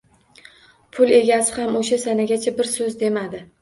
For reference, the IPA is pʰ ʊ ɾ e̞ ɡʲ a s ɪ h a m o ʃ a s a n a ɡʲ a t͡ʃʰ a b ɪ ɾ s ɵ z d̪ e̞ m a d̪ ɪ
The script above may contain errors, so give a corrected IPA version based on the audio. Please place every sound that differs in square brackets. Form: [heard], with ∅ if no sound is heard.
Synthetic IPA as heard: pʰ ʊ [l] e̞ ɡʲ a s ɪ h a m o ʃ a s a n a ɡʲ a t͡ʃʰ a b ɪ ɾ s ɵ z d̪ e̞ m a d̪ ɪ